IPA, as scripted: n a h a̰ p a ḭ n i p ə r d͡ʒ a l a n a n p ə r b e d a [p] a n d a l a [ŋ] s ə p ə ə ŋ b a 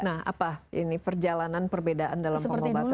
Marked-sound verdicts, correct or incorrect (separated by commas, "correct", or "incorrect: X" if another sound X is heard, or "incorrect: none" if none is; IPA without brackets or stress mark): incorrect: ʔ, incorrect: m